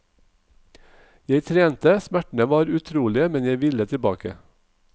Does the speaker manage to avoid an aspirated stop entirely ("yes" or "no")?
no